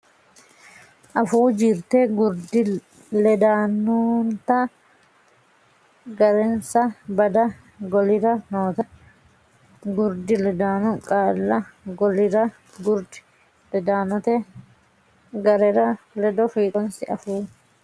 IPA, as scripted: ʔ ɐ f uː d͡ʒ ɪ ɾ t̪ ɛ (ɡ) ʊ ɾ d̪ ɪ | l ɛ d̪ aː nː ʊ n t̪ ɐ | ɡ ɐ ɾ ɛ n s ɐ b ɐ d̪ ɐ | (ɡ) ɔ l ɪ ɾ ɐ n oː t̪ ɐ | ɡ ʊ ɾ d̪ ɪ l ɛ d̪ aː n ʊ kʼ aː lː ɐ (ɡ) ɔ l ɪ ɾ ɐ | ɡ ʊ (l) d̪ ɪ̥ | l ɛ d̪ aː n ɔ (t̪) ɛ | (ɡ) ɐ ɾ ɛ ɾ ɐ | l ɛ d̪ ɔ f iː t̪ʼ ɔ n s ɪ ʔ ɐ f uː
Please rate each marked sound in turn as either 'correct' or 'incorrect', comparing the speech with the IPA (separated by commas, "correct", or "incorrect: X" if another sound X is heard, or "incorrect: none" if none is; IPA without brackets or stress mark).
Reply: correct, correct, correct, incorrect: ɾ, correct, correct